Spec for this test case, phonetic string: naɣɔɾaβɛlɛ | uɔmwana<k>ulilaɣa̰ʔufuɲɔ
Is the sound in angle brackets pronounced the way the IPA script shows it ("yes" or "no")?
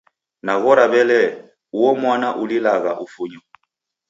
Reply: no